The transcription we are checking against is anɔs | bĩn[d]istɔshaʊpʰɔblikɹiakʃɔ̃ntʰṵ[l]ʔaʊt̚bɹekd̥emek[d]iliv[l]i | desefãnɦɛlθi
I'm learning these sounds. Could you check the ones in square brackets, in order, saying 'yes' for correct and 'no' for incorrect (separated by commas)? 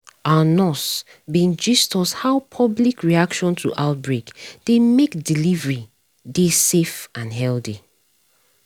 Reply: no, no, yes, no